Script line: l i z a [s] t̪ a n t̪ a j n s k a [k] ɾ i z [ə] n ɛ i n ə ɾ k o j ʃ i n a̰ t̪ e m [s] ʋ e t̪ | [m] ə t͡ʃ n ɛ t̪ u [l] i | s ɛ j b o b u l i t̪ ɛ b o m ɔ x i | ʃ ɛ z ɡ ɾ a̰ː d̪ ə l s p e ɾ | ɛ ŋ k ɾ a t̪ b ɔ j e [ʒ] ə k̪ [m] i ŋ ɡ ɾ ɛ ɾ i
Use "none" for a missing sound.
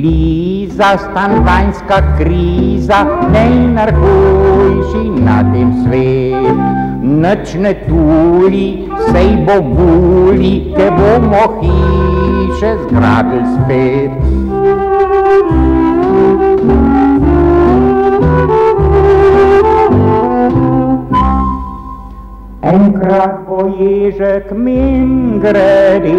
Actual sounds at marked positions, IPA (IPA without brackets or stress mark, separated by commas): s, k, a, s, n, l, ʒ, m